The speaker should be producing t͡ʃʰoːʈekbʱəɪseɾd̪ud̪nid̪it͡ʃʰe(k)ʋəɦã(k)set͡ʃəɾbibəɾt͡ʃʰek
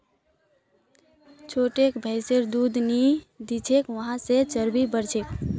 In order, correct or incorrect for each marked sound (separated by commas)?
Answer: correct, incorrect